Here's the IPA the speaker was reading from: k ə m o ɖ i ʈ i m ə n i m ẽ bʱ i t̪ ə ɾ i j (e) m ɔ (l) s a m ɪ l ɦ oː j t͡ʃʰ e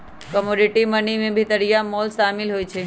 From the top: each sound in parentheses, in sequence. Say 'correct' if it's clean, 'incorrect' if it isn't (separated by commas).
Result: incorrect, correct